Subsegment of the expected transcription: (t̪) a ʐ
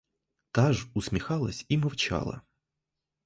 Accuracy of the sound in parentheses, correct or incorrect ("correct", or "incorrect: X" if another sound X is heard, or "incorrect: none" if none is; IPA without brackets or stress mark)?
correct